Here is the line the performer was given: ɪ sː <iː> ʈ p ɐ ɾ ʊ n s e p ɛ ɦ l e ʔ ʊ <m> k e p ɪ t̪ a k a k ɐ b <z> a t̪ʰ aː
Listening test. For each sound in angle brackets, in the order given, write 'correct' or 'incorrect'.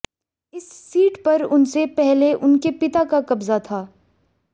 correct, incorrect, correct

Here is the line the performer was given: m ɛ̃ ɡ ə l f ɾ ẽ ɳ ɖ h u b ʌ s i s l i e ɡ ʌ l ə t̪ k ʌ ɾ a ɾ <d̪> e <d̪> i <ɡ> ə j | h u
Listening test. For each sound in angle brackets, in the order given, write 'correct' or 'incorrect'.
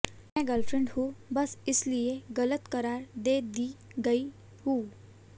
correct, correct, correct

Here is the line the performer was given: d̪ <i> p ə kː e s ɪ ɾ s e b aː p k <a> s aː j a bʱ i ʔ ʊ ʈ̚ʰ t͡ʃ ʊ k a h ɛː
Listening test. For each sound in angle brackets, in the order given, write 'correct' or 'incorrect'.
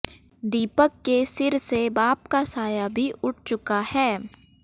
incorrect, correct

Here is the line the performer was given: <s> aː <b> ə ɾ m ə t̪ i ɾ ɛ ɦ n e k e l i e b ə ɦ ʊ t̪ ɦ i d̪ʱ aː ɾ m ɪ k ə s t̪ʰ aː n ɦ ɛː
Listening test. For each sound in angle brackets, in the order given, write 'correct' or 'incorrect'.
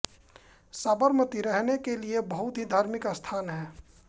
correct, correct

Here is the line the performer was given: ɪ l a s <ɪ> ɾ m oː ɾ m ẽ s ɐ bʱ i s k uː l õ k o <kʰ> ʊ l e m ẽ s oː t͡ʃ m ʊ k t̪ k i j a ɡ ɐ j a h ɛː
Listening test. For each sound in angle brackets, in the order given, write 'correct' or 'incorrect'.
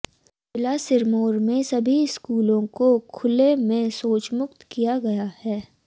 correct, correct

